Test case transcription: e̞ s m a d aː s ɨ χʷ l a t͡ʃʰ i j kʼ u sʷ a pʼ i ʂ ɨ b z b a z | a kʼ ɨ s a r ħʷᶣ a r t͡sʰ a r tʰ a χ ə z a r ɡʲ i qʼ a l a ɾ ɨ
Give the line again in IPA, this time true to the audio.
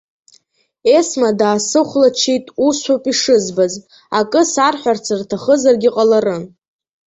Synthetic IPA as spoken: e̞ s m a d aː s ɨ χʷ l a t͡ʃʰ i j tʼ u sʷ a pʼ i ʂ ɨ z b a z | a kʼ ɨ s a r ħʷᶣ a r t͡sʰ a r tʰ a χ ə z a r ɡʲ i qʼ a l a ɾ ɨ

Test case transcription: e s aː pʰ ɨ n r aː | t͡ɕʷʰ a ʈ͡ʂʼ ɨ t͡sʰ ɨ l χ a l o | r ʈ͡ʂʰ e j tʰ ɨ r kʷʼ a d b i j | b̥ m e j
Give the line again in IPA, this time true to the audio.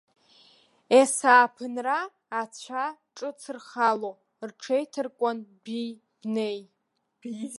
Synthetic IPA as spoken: e s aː pʰ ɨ n r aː | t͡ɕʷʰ a ʈ͡ʂʼ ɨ t͡sʰ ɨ r χ a l o | r ʈ͡ʂʰ e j tʰ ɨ r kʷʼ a n b i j | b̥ n e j

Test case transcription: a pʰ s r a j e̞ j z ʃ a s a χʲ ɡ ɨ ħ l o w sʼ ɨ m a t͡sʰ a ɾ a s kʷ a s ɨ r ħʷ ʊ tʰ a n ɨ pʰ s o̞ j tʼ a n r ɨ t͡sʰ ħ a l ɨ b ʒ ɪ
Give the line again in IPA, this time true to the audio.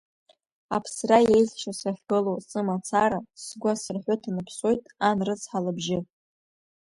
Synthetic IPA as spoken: a pʰ s r a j e̞ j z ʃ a s a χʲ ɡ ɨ l o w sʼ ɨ m a t͡sʰ a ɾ a s ɡʷ a s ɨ r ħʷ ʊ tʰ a n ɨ pʰ s o̞ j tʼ a n r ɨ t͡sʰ ħ a l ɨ b ʒ ɪ

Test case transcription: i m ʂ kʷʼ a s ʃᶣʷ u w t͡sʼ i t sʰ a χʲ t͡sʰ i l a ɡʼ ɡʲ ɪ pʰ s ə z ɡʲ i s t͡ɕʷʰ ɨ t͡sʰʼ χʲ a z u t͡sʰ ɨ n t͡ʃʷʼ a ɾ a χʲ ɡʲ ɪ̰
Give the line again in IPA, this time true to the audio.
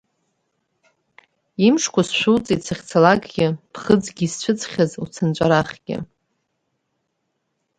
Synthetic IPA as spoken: i m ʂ kʷ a s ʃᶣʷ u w t͡sʼ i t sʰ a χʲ t͡sʰ a l a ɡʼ ɡʲ ɪ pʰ χ ə d͡z ɡʲ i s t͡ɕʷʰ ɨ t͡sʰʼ χʲ a z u t͡sʰ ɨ n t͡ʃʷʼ a ɾ a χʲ ɡʲ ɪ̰

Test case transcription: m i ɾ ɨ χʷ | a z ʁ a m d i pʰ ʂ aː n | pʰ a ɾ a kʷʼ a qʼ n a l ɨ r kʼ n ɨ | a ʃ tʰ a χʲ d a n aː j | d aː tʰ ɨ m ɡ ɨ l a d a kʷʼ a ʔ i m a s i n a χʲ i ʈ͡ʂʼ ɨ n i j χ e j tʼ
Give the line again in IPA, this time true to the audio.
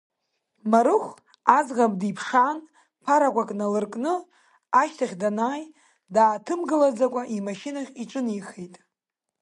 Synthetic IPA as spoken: m a ɾ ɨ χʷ | a z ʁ a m d i pʰ ʂ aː n | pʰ a ɾ a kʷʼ a kʼ n a l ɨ r kʼ n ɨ | a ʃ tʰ a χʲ d a n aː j | d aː tʰ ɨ m ɡ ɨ l a d͡z a kʷʼ a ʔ i m a ʃ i n a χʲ i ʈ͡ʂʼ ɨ n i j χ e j tʼ

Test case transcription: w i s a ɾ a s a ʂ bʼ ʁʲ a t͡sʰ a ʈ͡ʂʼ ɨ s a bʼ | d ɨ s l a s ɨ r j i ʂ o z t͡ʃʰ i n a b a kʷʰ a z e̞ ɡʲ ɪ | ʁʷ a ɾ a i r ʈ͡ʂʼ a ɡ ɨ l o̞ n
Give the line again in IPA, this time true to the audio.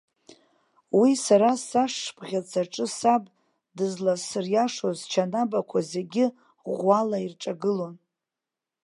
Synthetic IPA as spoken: w i s a ɾ a s a ʂ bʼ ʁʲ a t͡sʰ a ʈ͡ʂʼ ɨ s a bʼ | d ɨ z l a s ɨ r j a ʂ o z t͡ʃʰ a n a b a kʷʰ a z e̞ ɡʲ ɪ | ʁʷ a l a i r ʈ͡ʂʼ a ɡ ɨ l o̞ n

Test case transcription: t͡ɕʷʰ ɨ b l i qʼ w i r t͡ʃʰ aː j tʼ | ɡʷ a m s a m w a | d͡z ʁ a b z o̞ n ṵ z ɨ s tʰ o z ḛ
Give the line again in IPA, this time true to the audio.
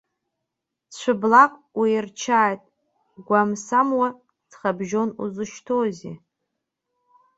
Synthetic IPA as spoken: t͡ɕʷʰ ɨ b l a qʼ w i r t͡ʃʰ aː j tʼ | ɡʷ a m s a m w a | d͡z χ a b ʒ o̞ n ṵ z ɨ ʃ tʰ o z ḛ

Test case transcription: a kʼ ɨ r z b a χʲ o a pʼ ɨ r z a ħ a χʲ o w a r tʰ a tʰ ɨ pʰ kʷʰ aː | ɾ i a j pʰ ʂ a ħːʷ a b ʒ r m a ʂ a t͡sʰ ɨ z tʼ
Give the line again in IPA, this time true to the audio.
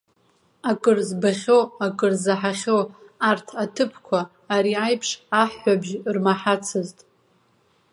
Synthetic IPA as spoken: a kʼ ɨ r z b a χʲ o a kʼ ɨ r z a ħ a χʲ o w a r tʰ a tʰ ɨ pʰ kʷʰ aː | ɾ i a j pʰ ʂ a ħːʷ a b ʒ r m a ħ a t͡sʰ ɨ z tʼ

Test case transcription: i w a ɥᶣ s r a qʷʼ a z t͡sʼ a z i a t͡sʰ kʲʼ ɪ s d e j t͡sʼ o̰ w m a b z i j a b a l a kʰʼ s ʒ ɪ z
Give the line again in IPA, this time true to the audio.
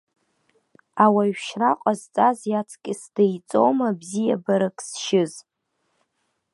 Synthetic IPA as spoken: a w a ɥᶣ ʃ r a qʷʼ a z t͡sʼ a z j a t͡sʰ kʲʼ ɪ s d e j t͡sʼ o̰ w m a b z i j a b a ɾ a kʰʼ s ʃ ɪ z

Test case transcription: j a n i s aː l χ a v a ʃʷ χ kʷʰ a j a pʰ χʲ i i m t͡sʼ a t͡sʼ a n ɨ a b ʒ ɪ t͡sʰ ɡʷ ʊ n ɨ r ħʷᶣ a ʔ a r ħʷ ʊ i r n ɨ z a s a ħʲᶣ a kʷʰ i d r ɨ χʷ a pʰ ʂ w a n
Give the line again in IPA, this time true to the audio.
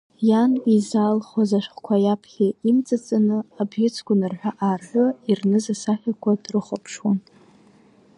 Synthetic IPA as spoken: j a n i z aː l χ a z a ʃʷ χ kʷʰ a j a pʰ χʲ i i m t͡sʼ a t͡sʼ a n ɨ a b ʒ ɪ t͡sʰ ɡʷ ʊ n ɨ r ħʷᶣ a ʔ a r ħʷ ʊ i r n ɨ z a s a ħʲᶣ a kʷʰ a d r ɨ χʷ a pʰ ʂ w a n

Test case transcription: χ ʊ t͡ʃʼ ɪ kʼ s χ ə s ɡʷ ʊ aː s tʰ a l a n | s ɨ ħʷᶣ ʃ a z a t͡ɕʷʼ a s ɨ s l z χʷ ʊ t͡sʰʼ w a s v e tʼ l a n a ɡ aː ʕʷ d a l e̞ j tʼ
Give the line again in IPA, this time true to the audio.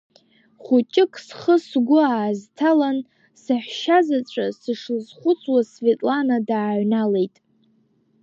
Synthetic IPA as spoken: χ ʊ t͡ʃʼ ɪ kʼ s χ ə s ɡʷ ʊ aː z tʰ a l a n | s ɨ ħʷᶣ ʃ a z a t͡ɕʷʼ a s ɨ ʂ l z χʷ ʊ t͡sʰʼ w a s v e tʼ l a n a d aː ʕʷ n a l e̞ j tʼ

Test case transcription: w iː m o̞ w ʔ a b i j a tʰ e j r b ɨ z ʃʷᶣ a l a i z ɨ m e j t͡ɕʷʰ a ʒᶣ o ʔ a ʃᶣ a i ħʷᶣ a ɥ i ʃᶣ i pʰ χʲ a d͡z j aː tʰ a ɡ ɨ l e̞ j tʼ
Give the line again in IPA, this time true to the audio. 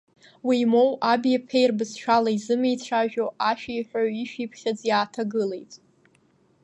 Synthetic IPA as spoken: w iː m o̞ w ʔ a b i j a pʰ e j r b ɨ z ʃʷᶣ a l a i z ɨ m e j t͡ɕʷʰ a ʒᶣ o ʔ a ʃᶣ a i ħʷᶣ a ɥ i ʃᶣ i pʰ χʲ a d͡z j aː tʰ a ɡ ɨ l e̞ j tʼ

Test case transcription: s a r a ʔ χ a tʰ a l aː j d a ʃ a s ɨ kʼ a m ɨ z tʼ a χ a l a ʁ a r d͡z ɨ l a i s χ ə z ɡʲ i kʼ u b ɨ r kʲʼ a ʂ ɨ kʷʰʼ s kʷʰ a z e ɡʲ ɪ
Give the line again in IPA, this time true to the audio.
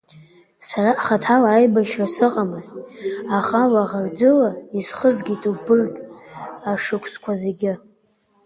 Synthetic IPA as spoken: s a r a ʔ χ a tʰ a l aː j b a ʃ a s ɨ qʼ a m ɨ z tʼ a χ a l a ʁ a r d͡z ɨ l a i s χ ə z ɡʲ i tʼ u b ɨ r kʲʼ a ʂ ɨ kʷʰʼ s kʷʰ a z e ɡʲ ɪ

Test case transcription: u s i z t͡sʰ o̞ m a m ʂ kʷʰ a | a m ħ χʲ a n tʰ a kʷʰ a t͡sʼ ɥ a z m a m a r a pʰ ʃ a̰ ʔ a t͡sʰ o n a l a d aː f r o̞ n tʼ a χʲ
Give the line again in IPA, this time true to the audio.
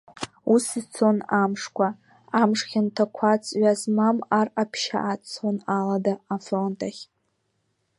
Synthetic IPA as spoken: u s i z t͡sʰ o̞ n a m ʂ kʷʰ a | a m ʂ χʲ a n tʰ a kʷʰ a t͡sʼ ɥ a z m a m a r a pʰ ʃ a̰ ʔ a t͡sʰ o n a l a d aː f r o̞ n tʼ a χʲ

